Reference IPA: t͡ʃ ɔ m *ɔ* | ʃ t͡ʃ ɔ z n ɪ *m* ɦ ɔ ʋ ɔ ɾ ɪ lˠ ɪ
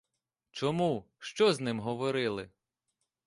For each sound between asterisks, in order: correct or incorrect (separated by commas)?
incorrect, correct